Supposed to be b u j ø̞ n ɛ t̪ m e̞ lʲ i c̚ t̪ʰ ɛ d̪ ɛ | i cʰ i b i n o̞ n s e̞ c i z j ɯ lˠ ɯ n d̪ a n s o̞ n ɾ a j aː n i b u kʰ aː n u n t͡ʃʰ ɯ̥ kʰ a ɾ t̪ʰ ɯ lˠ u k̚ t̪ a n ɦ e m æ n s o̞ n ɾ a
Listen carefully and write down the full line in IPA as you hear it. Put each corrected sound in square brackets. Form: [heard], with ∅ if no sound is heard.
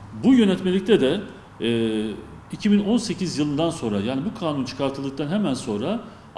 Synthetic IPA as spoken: b u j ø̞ n ɛ t̪ m e̞ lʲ i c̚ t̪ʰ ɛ d̪ ɛ | i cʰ i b i n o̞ n s e̞ c i z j ɯ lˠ ɯ n d̪ a n s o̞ n ɾ a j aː n i b u kʰ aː n u n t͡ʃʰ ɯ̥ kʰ a ɾ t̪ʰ ɯ lˠ [ɯ] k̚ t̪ a n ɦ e m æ n s o̞ n ɾ a